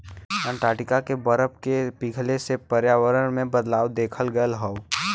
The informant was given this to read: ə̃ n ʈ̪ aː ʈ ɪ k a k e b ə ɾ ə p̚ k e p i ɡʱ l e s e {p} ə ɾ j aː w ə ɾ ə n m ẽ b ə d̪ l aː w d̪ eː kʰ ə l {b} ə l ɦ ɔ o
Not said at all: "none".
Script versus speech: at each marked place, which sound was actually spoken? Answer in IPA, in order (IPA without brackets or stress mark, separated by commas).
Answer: p, ɡ